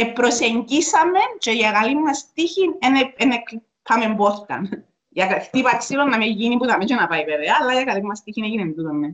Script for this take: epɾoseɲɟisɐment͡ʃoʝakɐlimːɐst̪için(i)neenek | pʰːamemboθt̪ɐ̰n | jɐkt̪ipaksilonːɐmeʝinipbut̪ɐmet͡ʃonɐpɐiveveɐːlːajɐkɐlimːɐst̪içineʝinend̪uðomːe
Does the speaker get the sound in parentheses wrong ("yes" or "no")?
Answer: yes